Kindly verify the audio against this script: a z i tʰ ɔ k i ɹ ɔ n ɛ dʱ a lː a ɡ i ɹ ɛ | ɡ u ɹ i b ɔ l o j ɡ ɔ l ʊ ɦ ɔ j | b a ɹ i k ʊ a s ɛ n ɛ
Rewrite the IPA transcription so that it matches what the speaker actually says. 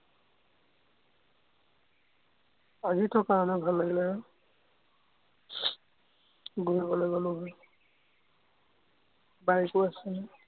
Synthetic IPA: a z i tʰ ɔ k a ɹ ɔ n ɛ bʱ a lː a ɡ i l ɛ | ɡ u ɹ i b ɔ l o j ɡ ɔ l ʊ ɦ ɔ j | b a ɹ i k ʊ a s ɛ n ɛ